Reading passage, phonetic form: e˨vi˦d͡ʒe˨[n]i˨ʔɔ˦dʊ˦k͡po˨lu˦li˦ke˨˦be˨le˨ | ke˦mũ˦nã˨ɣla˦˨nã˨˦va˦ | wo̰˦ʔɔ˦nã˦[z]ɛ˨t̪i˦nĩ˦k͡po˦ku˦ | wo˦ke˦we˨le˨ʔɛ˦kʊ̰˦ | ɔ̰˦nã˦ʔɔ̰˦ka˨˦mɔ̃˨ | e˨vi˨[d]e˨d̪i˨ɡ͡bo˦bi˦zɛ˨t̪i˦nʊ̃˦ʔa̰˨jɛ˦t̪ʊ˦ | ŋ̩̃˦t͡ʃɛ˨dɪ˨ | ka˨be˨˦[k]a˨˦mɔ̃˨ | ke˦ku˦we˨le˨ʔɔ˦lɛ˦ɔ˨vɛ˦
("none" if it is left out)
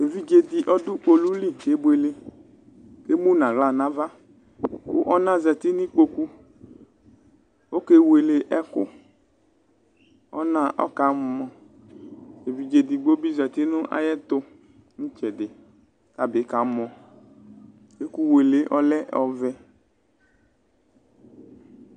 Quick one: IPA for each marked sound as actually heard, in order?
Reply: d, z, d͡ʒ, k

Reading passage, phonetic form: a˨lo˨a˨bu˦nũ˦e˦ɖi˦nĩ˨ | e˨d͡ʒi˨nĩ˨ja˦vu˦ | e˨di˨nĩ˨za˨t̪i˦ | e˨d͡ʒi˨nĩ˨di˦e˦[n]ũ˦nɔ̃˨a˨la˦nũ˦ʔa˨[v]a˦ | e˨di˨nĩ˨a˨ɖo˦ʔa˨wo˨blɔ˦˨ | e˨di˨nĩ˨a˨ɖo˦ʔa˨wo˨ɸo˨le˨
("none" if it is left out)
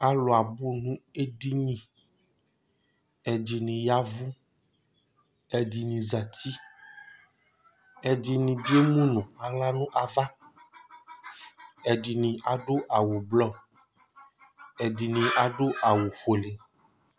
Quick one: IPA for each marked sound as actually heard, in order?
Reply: m, v

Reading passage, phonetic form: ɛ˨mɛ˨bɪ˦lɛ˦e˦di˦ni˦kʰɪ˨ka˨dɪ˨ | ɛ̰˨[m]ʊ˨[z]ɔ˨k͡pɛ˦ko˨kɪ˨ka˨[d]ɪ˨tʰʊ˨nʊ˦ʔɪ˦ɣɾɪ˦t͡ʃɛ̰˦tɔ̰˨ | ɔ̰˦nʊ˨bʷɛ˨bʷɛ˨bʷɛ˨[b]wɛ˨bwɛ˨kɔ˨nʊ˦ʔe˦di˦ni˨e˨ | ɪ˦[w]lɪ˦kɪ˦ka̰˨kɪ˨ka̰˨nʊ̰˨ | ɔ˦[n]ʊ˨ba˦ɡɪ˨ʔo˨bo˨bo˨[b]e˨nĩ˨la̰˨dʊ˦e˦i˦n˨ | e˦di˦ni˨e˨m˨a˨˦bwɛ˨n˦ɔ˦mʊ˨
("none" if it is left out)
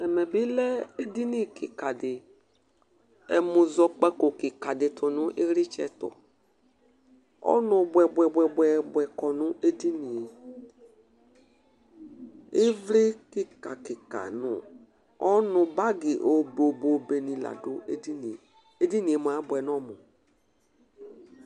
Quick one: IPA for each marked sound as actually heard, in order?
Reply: m, z, d, b, v, n, b

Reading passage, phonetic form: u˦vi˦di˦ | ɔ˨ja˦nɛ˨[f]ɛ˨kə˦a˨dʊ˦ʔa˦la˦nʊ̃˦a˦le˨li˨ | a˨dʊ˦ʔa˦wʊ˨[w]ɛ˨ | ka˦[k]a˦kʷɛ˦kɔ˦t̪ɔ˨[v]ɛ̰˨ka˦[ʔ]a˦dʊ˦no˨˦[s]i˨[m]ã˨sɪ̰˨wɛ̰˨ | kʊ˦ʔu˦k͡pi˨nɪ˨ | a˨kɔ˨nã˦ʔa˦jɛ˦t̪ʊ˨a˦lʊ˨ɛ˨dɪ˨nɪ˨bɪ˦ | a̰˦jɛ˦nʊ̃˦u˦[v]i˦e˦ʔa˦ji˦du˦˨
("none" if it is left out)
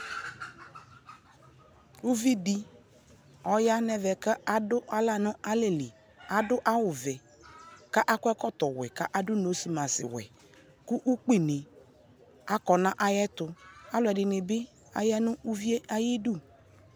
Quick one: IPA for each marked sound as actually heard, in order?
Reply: v, v, ʔ, w, ʔ, s, m, v

